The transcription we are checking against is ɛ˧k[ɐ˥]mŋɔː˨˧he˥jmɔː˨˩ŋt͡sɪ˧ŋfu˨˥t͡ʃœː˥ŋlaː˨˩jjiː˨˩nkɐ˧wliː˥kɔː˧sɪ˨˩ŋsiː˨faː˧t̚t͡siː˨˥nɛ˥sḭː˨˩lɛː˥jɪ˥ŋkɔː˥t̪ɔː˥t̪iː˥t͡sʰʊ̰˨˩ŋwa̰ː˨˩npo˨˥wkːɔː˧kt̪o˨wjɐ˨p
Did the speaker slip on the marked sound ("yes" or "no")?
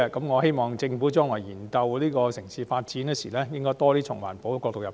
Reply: yes